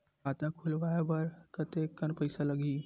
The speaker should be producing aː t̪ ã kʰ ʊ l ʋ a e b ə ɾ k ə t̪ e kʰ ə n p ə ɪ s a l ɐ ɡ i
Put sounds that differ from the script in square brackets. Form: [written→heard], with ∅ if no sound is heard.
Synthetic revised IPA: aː t̪ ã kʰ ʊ l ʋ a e b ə ɾ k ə t̪ e [kʰ→k] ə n p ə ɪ s a l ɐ ɡ i